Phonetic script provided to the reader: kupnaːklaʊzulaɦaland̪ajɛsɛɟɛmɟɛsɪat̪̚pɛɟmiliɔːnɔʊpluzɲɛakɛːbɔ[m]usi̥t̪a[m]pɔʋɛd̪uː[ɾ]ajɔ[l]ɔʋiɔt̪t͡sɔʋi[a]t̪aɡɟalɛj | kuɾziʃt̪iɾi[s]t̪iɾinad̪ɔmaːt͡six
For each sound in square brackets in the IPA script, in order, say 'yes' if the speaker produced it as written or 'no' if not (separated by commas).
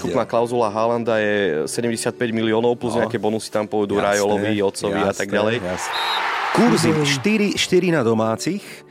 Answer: no, yes, yes, yes, yes, no